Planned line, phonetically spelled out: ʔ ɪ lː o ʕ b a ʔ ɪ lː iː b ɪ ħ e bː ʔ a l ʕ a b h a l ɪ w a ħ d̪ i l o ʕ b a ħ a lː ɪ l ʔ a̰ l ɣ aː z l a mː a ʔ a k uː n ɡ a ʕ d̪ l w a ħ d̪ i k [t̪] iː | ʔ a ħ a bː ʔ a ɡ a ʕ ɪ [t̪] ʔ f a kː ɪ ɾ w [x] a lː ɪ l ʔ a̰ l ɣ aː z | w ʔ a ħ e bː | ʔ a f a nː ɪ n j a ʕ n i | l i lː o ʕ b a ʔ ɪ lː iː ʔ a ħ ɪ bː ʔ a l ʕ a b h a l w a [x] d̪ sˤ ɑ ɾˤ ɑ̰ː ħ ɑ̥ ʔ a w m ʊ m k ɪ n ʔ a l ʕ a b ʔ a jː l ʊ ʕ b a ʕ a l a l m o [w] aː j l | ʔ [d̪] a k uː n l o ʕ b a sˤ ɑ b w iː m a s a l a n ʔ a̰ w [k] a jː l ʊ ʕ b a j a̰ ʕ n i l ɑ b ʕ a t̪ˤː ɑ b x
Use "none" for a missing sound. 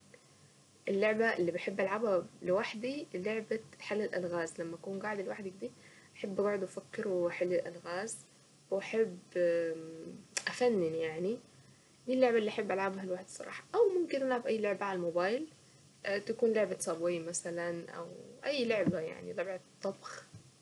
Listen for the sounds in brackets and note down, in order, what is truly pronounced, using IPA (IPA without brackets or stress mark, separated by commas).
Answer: d̪, d̪, ħ, ħ, b, t̪, ʔ